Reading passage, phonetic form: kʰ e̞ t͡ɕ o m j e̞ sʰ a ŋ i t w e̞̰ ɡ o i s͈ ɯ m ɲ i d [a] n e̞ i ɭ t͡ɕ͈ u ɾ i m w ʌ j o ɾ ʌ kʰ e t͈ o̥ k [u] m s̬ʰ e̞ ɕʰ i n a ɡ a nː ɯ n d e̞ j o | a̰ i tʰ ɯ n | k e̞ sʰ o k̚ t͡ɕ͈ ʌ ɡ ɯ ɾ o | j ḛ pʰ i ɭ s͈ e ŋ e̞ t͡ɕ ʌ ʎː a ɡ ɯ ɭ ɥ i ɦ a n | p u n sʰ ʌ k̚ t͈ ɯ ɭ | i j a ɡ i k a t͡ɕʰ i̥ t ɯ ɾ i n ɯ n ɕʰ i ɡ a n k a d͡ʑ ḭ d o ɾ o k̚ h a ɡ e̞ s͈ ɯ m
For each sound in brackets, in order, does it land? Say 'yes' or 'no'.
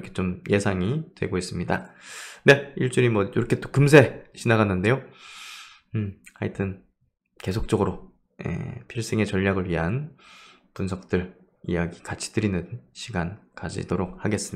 yes, no

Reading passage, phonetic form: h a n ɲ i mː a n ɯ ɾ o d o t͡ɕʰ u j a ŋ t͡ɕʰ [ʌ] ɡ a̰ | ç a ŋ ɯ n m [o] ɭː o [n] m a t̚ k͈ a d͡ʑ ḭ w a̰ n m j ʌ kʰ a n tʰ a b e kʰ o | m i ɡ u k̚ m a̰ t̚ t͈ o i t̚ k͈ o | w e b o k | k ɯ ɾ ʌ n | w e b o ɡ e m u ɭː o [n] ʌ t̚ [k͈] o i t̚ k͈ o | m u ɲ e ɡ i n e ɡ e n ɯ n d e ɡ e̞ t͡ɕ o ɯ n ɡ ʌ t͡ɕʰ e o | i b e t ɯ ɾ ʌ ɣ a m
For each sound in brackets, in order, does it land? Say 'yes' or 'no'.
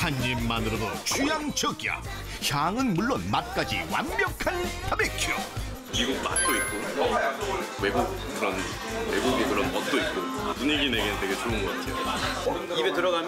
yes, no, yes, yes, no

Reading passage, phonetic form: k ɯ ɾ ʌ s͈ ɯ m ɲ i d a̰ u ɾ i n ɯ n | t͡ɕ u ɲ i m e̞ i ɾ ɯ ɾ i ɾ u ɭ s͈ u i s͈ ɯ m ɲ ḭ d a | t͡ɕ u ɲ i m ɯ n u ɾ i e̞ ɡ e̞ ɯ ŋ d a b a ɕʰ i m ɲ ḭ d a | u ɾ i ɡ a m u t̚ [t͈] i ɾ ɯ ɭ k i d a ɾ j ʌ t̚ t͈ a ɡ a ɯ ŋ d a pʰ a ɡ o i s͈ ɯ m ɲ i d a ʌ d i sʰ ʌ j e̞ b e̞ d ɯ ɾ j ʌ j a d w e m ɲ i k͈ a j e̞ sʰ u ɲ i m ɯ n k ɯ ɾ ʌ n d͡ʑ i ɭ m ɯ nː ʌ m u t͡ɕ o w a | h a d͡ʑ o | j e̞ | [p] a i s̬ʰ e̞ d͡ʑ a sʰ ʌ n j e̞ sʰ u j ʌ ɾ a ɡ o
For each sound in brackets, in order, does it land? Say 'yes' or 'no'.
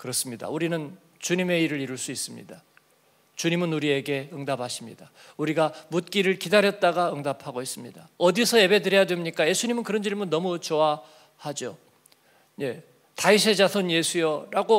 no, no

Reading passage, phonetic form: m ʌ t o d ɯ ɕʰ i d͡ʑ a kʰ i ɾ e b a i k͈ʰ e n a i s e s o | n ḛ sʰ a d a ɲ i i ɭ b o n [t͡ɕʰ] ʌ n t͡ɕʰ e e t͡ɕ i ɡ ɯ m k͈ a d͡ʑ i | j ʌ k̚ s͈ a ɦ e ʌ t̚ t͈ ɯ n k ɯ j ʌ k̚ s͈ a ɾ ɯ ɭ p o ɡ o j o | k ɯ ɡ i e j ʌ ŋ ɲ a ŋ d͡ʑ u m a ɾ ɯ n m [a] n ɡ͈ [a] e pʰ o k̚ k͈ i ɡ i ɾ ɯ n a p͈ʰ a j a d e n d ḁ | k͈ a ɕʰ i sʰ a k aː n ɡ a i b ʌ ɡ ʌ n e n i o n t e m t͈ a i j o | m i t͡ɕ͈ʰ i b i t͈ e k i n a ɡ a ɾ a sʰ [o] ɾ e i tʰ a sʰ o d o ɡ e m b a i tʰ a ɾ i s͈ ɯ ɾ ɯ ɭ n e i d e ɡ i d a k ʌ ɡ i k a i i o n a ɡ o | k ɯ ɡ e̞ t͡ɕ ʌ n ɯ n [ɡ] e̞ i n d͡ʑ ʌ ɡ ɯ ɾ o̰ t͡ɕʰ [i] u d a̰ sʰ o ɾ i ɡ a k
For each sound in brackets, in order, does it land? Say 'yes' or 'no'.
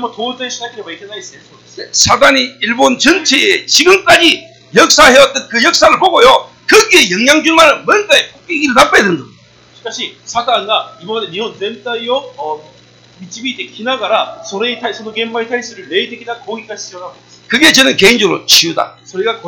no, no, yes, yes, no, yes

